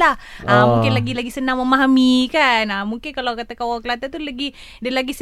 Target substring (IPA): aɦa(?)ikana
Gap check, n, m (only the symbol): m